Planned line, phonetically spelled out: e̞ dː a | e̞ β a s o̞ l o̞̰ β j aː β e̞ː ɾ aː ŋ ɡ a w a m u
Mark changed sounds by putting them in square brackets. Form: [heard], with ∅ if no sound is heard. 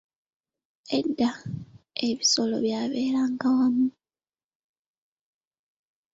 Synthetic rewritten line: e̞ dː a | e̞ β [i] s o̞ l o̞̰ β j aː β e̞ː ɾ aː ŋ ɡ a w a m u